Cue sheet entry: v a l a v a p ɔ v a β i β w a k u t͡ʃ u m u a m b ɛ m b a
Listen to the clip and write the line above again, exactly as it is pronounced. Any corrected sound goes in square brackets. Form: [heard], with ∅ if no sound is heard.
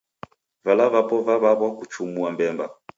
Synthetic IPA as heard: v a l a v a p ɔ v a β [a] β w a k u t͡ʃ u m u a m b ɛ m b a